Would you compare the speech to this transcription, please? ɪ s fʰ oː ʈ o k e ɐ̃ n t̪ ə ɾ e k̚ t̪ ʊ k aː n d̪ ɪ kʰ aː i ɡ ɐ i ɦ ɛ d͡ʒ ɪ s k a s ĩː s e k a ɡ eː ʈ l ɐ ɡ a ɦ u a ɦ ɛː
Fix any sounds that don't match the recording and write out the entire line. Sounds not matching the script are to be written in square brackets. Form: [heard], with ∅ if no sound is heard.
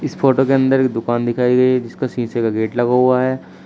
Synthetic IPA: ɪ s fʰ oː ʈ o k e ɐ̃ n [d̪] ə ɾ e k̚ [d̪] ʊ k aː n d̪ ɪ kʰ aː i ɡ ɐ i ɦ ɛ d͡ʒ ɪ s k a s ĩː s e k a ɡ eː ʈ l ɐ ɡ a ɦ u a ɦ ɛː